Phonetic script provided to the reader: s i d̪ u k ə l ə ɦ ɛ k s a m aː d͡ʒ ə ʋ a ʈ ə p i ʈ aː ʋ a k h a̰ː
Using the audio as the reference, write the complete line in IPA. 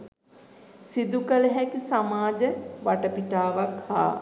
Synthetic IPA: s i d̪ u k ə l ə ɦ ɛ k s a m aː d͡ʒ ə ʋ a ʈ ə p i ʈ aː ʋ a k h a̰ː